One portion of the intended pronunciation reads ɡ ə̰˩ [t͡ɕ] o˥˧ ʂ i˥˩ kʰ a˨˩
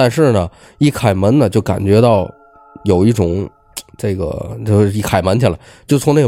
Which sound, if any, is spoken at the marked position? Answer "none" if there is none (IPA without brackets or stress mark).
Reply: t͡ɕ